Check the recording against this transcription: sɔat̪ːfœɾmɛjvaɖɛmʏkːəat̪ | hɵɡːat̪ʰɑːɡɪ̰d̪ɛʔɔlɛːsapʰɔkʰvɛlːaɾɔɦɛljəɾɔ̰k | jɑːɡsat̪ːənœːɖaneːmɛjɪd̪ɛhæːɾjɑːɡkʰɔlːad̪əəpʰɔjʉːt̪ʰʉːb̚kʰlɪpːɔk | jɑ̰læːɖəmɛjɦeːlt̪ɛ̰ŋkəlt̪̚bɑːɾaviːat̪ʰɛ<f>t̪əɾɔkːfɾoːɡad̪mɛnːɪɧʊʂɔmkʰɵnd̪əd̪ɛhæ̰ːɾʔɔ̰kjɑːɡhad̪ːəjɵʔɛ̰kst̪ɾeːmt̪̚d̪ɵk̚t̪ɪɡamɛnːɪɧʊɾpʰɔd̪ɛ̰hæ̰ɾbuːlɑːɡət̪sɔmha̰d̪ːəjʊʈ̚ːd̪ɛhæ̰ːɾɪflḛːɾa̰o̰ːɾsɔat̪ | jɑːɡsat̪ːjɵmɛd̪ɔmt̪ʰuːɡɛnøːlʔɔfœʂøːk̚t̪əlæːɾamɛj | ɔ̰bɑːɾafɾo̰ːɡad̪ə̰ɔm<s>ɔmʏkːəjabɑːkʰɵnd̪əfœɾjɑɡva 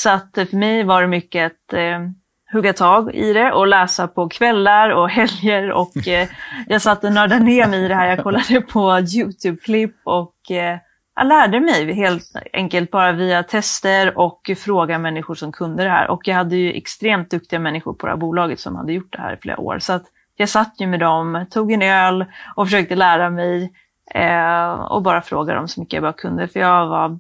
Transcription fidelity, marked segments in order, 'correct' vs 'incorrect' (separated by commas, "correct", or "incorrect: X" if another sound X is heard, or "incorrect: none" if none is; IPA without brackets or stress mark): incorrect: s, correct